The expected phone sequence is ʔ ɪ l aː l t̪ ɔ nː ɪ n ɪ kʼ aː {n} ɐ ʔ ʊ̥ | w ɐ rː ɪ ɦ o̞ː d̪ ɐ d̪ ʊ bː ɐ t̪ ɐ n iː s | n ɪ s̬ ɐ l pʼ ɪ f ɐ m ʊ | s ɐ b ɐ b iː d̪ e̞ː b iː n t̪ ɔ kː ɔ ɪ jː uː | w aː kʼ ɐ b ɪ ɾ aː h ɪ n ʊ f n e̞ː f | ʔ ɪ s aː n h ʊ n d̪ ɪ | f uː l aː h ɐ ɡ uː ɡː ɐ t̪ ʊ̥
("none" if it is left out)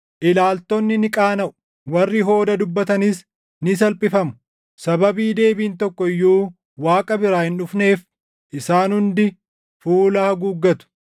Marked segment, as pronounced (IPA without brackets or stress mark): n